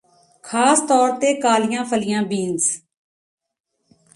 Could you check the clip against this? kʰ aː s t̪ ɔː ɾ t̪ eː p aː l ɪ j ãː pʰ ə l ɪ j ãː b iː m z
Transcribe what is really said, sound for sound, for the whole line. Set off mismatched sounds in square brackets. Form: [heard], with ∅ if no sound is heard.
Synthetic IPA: kʰ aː s t̪ ɔː ɾ t̪ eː [k] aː l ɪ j ãː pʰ ə l ɪ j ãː b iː [n] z